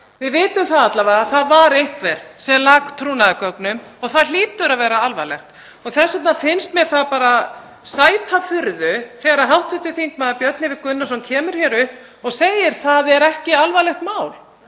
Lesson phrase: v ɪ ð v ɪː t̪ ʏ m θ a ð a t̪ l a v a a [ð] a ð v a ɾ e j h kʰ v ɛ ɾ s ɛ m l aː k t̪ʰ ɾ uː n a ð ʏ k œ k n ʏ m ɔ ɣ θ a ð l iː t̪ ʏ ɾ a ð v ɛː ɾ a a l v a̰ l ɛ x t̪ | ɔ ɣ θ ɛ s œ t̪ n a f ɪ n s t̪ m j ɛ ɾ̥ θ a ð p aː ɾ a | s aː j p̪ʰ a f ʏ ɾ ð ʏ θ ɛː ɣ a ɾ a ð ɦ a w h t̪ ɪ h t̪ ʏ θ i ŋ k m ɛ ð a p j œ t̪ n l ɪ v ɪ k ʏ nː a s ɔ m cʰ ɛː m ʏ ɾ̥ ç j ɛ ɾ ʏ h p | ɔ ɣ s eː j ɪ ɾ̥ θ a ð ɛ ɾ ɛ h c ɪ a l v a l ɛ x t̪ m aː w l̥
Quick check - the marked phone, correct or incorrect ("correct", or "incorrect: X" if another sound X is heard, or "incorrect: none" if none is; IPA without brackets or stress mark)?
incorrect: θ